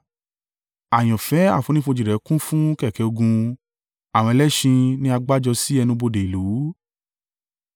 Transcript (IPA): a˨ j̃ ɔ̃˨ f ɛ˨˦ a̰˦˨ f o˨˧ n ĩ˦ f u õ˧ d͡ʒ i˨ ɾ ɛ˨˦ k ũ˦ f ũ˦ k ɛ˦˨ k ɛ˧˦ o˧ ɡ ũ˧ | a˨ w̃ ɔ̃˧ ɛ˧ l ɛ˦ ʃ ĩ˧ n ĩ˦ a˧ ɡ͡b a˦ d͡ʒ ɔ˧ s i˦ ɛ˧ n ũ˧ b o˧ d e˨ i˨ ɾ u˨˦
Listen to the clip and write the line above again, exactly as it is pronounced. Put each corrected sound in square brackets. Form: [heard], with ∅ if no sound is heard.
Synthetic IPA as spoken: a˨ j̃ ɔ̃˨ f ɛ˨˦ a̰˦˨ f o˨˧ n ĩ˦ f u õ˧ d͡ʒ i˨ ɾ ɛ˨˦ k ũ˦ f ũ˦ k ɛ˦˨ k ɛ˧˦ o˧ ɡ ũ˧ | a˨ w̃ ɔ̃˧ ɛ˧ l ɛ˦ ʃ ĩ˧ n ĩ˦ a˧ ɡ͡b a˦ d͡ʒ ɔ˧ s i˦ ɛ˧ n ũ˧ b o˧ d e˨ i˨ [l] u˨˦

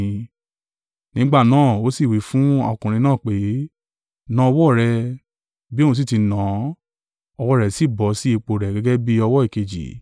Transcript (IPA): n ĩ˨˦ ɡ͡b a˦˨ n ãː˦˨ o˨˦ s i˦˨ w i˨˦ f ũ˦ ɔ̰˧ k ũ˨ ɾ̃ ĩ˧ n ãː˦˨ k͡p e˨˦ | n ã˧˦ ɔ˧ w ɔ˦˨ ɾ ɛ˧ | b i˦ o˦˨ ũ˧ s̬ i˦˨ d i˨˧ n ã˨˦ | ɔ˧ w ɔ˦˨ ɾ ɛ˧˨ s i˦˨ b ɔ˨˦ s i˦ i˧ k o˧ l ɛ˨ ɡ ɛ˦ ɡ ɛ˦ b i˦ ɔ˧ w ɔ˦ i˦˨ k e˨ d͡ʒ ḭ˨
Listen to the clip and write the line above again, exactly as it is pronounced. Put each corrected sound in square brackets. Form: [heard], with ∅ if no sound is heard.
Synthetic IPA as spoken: n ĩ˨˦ ɡ͡b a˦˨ n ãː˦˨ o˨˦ s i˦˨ w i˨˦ f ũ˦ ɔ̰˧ k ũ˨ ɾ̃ ĩ˧ n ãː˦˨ k͡p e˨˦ | n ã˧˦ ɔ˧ w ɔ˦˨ ɾ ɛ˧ | b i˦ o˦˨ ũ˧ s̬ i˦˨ [t] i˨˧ n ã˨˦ | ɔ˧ w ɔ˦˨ ɾ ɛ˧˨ s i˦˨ b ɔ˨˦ s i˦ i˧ [k͡p] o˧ [ɾ] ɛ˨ ɡ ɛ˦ ɡ ɛ˦ b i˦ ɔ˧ w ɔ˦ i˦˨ k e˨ d͡ʒ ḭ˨

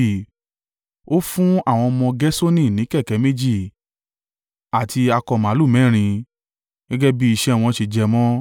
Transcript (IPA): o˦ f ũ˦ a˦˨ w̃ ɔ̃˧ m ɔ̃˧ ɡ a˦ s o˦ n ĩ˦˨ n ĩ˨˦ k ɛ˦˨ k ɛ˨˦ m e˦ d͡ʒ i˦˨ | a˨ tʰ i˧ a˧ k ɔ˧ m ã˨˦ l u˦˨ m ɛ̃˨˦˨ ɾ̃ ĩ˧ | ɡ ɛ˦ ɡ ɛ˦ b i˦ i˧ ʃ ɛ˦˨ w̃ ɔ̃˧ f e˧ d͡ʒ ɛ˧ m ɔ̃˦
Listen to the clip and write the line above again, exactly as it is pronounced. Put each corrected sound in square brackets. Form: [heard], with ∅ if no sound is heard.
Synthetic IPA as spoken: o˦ f ũ˦ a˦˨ w̃ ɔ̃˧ m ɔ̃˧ ɡ [ɛ˦] s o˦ n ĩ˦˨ n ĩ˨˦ k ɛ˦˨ k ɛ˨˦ m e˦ d͡ʒ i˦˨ | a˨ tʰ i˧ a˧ k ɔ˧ m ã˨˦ l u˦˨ m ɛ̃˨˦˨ ɾ̃ ĩ˧ | ɡ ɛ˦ ɡ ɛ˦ b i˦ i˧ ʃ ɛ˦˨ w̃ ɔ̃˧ [ʃ] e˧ d͡ʒ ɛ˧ m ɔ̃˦

